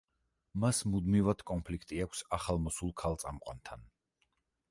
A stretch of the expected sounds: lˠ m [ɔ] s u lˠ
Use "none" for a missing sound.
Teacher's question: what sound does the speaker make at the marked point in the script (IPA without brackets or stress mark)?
ɔ